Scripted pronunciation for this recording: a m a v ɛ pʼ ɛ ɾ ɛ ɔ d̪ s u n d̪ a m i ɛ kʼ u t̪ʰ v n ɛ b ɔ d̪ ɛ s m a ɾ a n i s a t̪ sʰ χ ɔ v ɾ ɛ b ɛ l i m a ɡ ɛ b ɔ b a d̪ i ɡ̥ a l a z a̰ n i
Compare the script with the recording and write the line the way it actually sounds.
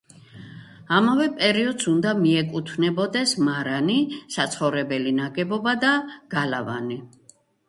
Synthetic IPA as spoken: a m a v ɛ pʼ ɛ ɾ i ɔ d̪ s u n d̪ a m i ɛ kʼ u t̪ʰ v n ɛ b ɔ d̪ ɛ s m a ɾ a n i s a t̪ sʰ χ ɔ v ɾ ɛ b ɛ l i n a ɡ ɛ b ɔ b a d̪ a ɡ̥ a l a v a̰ n i